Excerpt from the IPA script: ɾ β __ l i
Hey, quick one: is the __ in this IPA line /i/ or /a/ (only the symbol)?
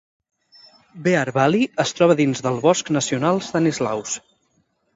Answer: a